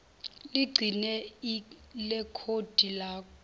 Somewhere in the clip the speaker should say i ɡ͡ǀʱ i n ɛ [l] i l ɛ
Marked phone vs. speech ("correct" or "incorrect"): incorrect